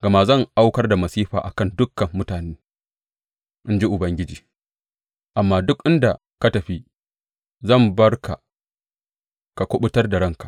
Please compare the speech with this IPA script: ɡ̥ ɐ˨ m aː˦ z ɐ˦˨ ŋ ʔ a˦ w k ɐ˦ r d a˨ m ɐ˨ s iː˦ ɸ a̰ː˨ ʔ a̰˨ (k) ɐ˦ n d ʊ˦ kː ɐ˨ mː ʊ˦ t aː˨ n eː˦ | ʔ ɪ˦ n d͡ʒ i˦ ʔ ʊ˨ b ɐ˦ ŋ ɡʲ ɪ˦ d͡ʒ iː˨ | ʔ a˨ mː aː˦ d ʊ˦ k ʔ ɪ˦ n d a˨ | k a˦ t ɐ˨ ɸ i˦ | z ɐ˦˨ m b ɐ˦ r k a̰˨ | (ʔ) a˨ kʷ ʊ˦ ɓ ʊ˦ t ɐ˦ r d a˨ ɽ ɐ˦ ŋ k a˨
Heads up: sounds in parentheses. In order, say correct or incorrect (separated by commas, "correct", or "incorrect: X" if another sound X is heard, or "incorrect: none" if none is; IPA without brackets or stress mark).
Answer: correct, incorrect: k